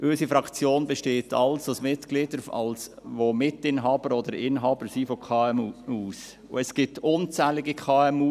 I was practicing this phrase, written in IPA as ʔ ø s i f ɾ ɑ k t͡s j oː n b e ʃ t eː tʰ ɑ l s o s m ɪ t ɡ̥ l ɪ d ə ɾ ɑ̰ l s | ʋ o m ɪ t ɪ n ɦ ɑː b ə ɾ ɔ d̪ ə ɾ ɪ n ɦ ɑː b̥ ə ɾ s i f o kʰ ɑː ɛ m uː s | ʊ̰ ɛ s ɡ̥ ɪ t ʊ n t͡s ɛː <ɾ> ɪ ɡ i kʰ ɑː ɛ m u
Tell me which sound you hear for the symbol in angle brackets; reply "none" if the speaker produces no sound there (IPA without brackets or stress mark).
l